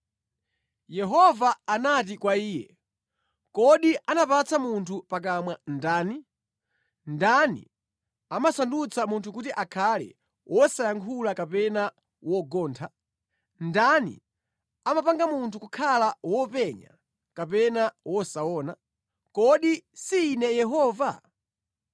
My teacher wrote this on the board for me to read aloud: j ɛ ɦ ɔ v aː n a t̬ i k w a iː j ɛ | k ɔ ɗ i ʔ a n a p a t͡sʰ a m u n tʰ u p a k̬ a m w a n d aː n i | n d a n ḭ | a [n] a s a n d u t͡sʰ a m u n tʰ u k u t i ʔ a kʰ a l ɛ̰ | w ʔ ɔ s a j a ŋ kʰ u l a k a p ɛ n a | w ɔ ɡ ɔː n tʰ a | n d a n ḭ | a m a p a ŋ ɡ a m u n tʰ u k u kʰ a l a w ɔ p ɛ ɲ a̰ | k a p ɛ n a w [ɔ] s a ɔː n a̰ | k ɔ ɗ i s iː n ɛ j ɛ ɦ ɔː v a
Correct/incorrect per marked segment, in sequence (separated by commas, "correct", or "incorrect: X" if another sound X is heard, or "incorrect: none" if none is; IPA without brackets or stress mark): incorrect: m, correct